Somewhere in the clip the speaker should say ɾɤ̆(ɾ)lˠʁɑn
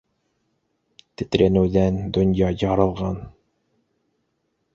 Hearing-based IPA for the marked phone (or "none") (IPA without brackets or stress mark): none